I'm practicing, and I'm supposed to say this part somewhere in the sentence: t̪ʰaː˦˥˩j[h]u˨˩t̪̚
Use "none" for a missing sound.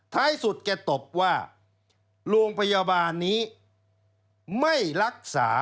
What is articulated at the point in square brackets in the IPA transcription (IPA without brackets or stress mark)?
s